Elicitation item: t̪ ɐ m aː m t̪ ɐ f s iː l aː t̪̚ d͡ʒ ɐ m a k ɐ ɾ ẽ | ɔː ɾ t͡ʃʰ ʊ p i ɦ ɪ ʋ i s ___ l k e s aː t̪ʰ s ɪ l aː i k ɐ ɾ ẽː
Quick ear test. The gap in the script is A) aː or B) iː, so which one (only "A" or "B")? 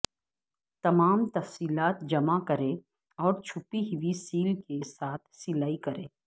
B